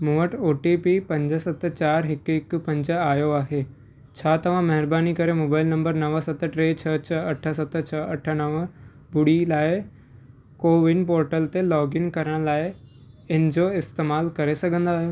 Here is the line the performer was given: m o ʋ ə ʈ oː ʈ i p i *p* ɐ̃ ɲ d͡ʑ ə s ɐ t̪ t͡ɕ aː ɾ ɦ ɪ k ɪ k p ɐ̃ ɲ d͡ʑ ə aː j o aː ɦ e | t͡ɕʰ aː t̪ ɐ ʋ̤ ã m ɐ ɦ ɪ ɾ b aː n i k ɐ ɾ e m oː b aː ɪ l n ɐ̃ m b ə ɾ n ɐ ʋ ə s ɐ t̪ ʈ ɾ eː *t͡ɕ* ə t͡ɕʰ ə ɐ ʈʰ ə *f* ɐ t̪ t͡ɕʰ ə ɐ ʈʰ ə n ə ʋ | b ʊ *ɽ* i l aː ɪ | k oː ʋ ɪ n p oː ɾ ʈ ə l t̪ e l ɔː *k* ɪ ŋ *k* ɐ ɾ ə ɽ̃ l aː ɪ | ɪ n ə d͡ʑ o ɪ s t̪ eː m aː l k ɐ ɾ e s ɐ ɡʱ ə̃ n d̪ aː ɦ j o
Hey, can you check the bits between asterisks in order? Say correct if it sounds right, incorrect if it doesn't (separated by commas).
correct, incorrect, incorrect, correct, incorrect, correct